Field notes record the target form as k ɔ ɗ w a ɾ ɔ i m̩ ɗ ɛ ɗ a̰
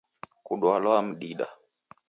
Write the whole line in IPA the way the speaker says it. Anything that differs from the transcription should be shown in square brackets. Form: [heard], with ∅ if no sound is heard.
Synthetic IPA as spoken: k [u] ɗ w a [l] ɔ [a] m̩ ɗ [i] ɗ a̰

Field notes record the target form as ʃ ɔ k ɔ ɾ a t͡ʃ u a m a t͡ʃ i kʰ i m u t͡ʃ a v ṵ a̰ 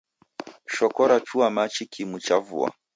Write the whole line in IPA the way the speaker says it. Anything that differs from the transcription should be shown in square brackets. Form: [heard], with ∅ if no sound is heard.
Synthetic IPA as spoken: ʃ ɔ k ɔ ɾ a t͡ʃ u a m a t͡ʃ i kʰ i m u t͡ʃ a v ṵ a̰

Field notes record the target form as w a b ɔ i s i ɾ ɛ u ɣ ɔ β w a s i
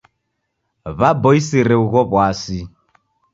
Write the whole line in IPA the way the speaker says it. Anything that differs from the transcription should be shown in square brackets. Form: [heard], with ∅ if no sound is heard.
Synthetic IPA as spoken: [β] a b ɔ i s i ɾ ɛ u ɣ ɔ β w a s i

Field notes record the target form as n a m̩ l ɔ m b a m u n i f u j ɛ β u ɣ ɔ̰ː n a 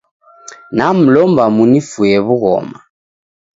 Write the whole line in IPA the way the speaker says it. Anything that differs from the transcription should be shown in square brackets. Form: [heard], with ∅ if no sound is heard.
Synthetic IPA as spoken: n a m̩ l ɔ m b a m u n i f u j ɛ β u ɣ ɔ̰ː [m] a

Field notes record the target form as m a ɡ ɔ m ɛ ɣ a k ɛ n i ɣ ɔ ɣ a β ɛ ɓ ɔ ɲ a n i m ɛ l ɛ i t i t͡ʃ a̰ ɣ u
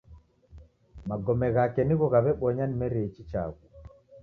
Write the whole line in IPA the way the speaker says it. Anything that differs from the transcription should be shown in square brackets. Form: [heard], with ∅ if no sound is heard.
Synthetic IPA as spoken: m a ɡ ɔ m ɛ ɣ a k ɛ n i ɣ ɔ ɣ a β ɛ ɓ ɔ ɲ a n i m ɛ [ɾ] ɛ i [t͡ʃ] i t͡ʃ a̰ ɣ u

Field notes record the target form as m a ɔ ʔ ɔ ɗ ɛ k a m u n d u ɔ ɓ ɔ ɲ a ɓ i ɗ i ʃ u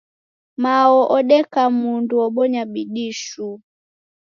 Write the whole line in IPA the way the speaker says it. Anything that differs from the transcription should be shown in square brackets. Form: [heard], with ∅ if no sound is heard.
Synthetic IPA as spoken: m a ɔ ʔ ɔ ɗ ɛ k a m u n d u ɔ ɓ ɔ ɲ a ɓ i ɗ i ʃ u

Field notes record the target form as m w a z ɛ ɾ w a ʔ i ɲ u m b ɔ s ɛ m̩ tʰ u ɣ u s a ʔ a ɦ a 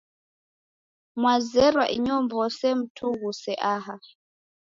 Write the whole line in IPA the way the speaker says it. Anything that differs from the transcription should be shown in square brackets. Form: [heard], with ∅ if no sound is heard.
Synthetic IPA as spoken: m w a z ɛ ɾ w a ʔ i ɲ [ɔ] m b ɔ s ɛ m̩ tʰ u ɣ u s [ɛ] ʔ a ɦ a

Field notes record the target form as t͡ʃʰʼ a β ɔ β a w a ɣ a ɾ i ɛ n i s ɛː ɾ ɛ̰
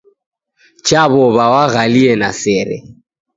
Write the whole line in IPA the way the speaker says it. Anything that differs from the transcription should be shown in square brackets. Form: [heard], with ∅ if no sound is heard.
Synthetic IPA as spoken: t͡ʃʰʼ a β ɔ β a w a ɣ a [l] i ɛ n [a] s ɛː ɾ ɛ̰

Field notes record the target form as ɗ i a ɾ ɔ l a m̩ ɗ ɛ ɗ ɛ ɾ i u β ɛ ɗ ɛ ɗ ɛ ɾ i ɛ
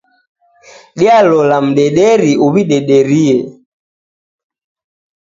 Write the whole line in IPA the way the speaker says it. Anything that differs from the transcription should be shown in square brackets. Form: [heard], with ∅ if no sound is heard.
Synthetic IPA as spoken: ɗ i a [l] ɔ l a m̩ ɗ ɛ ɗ ɛ ɾ i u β [i] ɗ ɛ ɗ ɛ ɾ i ɛ

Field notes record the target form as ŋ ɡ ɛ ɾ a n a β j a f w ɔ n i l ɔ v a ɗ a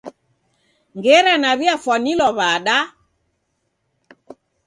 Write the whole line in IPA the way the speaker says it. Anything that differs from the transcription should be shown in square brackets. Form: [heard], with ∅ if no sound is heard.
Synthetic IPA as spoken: ŋ ɡ ɛ ɾ a n a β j a f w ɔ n i l ɔ [β] a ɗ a

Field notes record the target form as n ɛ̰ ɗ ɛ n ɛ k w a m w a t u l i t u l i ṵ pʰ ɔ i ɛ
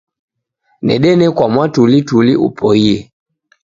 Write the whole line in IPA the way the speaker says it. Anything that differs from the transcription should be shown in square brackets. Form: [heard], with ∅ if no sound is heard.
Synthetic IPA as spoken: n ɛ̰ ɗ ɛ n ɛ k w a m w a t u l i t u l i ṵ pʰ ɔ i ɛ

